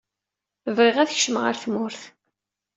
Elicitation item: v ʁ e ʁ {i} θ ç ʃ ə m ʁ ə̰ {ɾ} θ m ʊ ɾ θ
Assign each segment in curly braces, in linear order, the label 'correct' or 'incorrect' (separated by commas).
incorrect, correct